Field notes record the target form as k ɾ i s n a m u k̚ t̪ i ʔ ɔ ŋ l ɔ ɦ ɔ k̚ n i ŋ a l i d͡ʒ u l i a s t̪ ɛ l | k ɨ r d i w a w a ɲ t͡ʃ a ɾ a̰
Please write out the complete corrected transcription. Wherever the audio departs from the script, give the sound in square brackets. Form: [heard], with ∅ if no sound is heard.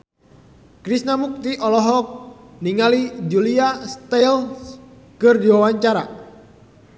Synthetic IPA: k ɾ i s n a m u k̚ t̪ i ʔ ɔ [∅] l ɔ ɦ ɔ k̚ n i ŋ a l i d͡ʒ u l i a s t̪ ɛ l | k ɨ r d i w a w a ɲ t͡ʃ a ɾ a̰